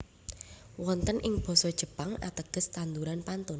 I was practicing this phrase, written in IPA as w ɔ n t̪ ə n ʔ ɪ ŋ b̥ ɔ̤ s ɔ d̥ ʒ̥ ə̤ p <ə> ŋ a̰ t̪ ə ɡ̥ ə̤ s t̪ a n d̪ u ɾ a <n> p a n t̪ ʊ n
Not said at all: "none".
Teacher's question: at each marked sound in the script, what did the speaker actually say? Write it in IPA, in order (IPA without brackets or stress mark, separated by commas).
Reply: a, n